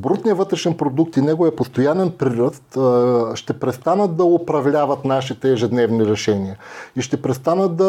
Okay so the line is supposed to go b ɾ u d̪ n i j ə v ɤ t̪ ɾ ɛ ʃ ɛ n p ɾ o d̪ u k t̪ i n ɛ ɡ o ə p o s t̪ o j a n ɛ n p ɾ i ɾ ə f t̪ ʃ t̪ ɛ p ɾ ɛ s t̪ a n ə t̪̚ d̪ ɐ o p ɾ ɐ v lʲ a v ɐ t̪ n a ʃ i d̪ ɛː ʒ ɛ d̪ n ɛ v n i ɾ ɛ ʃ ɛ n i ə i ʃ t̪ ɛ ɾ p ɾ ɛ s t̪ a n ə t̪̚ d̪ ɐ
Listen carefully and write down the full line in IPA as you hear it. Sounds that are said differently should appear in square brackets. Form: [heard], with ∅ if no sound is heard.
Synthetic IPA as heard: b ɾ u [t̪] n i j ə v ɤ t̪ ɾ ɛ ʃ ɛ n p ɾ o d̪ u k t̪ i n ɛ ɡ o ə p o s t̪ o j a n ɛ n p ɾ i ɾ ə [s] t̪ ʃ t̪ ɛ p ɾ ɛ s t̪ a n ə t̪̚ d̪ ɐ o p ɾ ɐ v lʲ a v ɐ t̪ n a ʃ i [t̪] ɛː ʒ ɛ d̪ n ɛ v n i ɾ ɛ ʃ ɛ n i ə i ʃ t̪ ɛ [∅] p ɾ ɛ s t̪ a n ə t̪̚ d̪ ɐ